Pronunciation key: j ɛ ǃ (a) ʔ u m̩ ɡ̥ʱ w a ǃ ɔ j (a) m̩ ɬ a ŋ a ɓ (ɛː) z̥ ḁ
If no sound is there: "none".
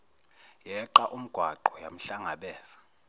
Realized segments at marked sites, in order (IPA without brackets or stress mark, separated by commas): a, a, ɛː